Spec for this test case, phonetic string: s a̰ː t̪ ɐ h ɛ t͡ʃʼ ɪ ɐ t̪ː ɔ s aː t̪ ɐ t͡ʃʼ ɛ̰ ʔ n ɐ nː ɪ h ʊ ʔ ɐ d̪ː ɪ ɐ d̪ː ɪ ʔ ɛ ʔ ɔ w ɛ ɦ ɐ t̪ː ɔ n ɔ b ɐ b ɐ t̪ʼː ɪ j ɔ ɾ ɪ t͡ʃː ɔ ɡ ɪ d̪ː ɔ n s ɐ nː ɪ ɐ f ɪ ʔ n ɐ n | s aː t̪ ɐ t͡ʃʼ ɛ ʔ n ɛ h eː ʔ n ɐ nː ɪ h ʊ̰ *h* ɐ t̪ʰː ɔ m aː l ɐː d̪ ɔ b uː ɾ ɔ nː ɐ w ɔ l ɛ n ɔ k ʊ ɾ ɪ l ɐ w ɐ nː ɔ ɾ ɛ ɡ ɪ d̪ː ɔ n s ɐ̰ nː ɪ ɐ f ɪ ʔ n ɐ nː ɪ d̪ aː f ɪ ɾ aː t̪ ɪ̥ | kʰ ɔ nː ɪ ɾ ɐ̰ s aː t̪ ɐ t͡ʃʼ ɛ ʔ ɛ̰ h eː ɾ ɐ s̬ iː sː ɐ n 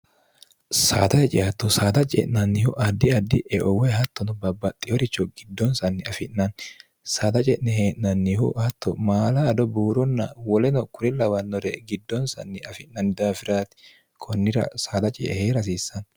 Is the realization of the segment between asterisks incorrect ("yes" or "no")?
no